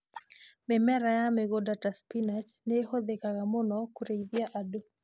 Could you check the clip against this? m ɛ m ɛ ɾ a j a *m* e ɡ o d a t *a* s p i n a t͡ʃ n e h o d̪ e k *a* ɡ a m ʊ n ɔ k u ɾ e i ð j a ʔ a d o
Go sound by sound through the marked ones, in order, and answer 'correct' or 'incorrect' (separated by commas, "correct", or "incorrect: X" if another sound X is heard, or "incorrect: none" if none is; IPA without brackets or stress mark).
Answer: correct, correct, correct